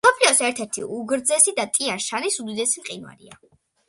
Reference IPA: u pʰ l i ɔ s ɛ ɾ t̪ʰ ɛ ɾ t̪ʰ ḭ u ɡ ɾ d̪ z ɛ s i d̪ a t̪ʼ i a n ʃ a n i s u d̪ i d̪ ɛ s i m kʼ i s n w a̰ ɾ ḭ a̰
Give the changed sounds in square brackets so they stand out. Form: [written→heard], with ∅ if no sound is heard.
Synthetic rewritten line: [u→ɔ] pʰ l i ɔ s ɛ ɾ t̪ʰ ɛ ɾ t̪ʰ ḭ u ɡ ɾ d̪ z ɛ s i d̪ a t̪ʼ i a n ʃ a n i s u d̪ i d̪ ɛ s i m [kʼ→qʼ] i [s→∅] n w a̰ ɾ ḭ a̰